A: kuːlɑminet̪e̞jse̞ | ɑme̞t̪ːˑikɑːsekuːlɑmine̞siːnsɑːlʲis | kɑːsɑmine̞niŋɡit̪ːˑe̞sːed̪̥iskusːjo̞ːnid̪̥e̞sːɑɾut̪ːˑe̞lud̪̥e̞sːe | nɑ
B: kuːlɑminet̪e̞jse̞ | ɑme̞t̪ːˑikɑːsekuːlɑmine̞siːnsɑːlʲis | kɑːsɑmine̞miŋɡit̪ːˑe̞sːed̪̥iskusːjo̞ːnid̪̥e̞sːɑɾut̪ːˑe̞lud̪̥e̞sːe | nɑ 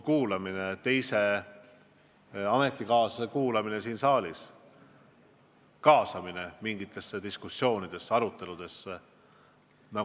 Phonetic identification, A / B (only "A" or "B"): B